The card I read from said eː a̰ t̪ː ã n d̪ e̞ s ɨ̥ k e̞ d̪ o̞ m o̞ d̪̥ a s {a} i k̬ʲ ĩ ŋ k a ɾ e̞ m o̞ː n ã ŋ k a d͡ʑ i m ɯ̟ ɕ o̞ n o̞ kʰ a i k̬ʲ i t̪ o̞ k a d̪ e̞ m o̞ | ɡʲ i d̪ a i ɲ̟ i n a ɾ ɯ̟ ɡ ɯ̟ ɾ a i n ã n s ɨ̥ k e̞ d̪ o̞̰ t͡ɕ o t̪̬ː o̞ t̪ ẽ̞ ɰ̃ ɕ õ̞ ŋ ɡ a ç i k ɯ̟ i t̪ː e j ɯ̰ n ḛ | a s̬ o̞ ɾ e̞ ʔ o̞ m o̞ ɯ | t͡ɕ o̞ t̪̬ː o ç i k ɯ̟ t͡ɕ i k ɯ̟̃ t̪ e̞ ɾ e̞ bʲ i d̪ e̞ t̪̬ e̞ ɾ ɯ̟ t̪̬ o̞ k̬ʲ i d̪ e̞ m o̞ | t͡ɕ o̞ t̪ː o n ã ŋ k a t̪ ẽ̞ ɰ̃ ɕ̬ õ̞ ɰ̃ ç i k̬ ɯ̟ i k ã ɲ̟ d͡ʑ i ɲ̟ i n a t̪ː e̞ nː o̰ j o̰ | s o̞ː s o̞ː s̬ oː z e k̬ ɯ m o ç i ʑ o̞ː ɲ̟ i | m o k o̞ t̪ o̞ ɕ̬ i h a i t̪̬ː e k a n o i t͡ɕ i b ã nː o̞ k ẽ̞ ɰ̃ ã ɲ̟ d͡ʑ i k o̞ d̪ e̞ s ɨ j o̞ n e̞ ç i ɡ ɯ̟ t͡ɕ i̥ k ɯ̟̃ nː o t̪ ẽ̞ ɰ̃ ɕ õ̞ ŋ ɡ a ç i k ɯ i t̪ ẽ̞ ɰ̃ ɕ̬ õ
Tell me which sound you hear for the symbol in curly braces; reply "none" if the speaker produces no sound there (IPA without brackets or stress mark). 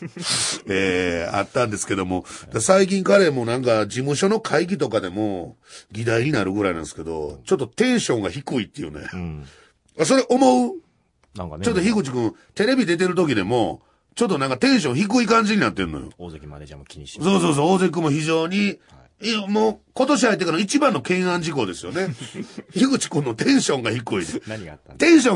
a